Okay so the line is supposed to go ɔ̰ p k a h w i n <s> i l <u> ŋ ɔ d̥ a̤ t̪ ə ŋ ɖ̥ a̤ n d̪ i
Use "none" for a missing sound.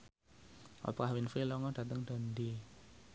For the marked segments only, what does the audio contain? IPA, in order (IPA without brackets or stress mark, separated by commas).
f, ɔ